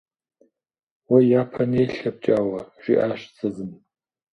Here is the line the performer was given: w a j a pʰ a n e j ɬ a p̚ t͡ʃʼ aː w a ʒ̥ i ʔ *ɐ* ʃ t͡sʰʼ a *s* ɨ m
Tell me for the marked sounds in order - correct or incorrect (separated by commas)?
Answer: incorrect, incorrect